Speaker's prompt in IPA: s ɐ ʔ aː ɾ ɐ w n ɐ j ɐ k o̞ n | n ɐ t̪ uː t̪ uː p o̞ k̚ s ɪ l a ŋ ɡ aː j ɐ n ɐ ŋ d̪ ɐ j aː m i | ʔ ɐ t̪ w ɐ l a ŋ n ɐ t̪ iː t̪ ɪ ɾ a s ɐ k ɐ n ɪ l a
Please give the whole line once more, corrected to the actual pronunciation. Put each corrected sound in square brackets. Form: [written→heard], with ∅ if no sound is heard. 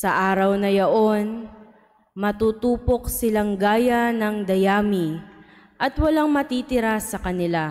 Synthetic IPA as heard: s ɐ ʔ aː ɾ ɐ w n ɐ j ɐ [k→ʔ] o̞ n | [n→m] ɐ t̪ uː t̪ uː p o̞ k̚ s ɪ l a ŋ ɡ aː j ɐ n ɐ ŋ d̪ ɐ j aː m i | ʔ ɐ t̪ w ɐ l a ŋ [n→m] ɐ t̪ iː t̪ ɪ ɾ a s ɐ k ɐ n ɪ l a